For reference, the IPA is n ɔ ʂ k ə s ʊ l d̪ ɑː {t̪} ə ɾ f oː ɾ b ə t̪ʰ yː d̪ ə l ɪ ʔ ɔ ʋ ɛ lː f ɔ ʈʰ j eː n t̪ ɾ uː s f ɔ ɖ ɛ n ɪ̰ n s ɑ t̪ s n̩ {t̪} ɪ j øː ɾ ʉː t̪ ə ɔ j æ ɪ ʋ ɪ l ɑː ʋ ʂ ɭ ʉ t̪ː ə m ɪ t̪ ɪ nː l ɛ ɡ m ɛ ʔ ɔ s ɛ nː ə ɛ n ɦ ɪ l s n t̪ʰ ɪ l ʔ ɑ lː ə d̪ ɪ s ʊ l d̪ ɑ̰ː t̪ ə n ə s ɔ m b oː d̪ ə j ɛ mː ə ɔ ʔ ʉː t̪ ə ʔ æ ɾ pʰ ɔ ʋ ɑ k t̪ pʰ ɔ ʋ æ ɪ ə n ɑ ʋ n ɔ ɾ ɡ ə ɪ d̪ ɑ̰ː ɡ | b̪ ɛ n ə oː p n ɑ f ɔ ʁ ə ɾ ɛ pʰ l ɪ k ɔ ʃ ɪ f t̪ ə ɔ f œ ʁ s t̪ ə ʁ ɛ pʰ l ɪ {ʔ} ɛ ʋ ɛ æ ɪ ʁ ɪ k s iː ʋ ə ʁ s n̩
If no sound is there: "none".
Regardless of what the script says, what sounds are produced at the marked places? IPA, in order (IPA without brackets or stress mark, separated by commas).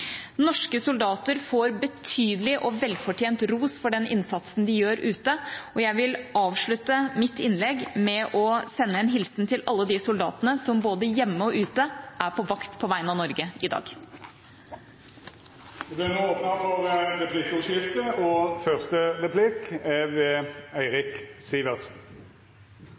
t̪, d̪, k